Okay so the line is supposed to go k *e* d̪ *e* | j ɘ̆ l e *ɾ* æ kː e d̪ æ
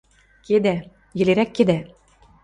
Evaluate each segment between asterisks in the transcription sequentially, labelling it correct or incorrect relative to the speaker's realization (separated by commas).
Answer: correct, incorrect, correct